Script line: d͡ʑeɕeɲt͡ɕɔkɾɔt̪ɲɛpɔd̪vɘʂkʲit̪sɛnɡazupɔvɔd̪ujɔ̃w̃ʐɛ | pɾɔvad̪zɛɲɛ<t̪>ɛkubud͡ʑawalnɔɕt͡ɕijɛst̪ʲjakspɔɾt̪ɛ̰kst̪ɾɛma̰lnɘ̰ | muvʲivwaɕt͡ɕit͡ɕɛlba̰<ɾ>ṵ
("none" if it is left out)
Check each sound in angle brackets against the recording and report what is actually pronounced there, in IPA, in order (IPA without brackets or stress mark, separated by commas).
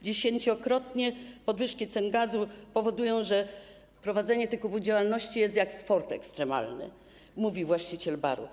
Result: t̪, ɾ